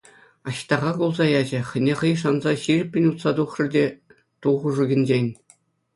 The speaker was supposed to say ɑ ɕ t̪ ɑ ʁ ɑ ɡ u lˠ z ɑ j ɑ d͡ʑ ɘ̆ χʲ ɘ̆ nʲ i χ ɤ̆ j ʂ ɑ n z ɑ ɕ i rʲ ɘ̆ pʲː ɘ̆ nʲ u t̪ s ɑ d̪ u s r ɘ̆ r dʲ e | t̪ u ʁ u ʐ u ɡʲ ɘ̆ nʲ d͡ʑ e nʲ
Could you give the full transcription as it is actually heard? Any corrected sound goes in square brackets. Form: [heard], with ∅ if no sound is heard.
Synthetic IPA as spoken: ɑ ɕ t̪ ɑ ʁ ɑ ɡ u lˠ z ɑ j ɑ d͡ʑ ɘ̆ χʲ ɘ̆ nʲ [e] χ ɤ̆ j ʂ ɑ n z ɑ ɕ i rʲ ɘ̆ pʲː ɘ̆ nʲ u t̪ s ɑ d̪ u [χ] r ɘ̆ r dʲ e | t̪ u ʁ u ʐ u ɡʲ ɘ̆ nʲ d͡ʑ e nʲ

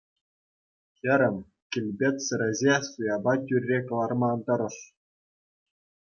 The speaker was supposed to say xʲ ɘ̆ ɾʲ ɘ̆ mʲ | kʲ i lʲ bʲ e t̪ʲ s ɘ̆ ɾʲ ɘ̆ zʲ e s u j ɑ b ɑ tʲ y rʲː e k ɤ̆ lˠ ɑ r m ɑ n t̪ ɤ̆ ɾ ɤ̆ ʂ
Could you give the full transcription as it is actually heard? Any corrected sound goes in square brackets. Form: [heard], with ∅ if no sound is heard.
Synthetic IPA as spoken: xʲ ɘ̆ ɾʲ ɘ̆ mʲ | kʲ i lʲ bʲ e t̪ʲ s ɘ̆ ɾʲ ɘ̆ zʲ e s u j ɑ b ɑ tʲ y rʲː e k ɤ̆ lˠ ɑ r m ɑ n t̪ ɤ̆ ɾ ɤ̆ ʂ

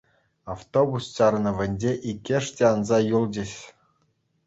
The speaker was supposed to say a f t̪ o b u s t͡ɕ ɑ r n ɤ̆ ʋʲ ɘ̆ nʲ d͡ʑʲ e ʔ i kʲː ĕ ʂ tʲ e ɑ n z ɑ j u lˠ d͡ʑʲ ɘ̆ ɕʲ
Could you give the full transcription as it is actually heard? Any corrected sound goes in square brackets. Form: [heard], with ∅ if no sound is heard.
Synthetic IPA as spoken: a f t̪ o b u s t͡ɕ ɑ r n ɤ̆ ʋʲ ɘ̆ nʲ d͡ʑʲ e ʔ i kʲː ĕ ʂ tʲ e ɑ n z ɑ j u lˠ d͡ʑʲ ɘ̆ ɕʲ

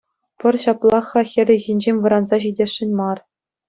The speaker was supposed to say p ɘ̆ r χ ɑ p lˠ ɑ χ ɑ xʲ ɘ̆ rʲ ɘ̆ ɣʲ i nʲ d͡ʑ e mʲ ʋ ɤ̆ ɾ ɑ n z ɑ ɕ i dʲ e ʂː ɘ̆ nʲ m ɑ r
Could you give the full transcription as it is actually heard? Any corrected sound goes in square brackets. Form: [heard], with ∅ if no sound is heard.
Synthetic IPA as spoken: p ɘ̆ r [ɕ] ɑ p lˠ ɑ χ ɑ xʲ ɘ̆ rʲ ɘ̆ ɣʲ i nʲ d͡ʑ e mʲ ʋ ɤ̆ ɾ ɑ n z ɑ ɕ i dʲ e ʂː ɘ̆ nʲ m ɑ r

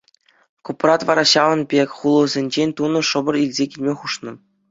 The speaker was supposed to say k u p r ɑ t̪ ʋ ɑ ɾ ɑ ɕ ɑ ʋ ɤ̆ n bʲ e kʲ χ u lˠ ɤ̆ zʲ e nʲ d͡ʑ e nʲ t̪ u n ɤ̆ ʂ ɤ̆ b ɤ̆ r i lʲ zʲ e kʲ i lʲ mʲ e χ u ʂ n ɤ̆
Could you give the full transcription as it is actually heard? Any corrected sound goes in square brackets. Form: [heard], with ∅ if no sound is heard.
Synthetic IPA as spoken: k u p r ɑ t̪ ʋ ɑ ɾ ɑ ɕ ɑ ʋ ɤ̆ n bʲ e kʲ χ u lˠ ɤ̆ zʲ e nʲ d͡ʑ e nʲ t̪ u n ɤ̆ ʂ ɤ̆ b ɤ̆ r i lʲ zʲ e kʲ i lʲ mʲ e χ u ʂ n ɤ̆

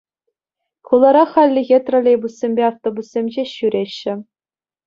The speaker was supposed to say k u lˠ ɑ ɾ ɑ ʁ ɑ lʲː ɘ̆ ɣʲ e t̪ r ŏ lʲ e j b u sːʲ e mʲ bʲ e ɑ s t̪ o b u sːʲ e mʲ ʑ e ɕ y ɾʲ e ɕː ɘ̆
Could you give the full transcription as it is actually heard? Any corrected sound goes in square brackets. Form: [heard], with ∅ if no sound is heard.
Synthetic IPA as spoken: k u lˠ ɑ ɾ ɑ [χ] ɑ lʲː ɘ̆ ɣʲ e t̪ r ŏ lʲ e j b u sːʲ e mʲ bʲ e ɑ [f] t̪ o b u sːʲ e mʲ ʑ e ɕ y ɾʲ e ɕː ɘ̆

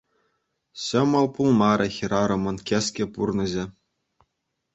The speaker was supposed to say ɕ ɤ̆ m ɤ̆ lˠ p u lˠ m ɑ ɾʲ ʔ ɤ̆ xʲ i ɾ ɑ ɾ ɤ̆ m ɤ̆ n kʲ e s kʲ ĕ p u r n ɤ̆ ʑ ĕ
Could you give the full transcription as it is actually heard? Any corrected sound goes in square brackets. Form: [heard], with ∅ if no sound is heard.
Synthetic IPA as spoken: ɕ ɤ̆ m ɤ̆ lˠ p u lˠ m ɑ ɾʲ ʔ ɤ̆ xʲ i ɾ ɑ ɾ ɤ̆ m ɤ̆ n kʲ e s kʲ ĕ p u r n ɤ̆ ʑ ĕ

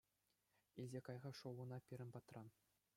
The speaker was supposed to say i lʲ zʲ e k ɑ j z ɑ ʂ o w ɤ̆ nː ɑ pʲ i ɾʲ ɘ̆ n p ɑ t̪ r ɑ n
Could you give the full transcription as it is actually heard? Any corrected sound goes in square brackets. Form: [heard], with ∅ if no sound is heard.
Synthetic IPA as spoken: i lʲ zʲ e k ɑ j [ʁ] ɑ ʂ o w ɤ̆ [n] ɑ pʲ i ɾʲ ɘ̆ n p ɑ t̪ r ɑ n

